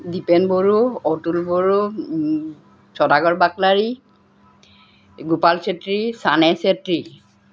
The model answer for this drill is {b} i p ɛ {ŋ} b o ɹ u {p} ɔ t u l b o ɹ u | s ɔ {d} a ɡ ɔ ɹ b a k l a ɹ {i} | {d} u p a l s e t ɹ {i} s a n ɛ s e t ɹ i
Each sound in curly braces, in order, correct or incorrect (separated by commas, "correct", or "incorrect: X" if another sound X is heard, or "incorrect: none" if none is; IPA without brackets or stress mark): incorrect: d, incorrect: n, incorrect: none, correct, correct, incorrect: ɡ, correct